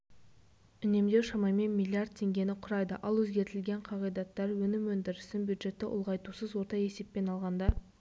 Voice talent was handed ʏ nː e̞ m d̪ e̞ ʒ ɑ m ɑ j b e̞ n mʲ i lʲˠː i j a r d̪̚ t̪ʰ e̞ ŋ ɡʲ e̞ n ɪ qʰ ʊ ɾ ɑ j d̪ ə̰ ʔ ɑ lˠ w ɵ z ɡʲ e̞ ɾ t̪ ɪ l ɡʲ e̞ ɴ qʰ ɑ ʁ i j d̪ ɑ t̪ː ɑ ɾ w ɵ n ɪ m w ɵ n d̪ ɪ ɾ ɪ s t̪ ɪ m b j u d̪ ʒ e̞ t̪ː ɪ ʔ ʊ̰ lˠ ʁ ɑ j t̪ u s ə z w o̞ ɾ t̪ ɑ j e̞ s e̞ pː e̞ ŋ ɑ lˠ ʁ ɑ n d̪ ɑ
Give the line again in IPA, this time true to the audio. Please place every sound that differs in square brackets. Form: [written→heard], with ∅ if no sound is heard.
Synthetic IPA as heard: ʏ [nː→n] e̞ m d̪ e̞ [ʒ→ʃ] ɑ m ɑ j [b→m] e̞ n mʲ i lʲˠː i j a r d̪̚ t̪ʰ e̞ ŋ ɡʲ e̞ n ɪ qʰ ʊ ɾ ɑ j d̪ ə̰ ʔ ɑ lˠ w ɵ z ɡʲ e̞ ɾ t̪ ɪ l ɡʲ e̞ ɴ qʰ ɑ ʁ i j d̪ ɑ t̪ː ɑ ɾ w ɵ n ɪ m w ɵ n d̪ ɪ ɾ ɪ s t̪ ɪ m b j u d̪ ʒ e̞ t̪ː ɪ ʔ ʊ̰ lˠ ʁ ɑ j t̪ u s ə z w o̞ ɾ t̪ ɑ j e̞ s e̞ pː e̞ [ŋ→n] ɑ lˠ ʁ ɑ n d̪ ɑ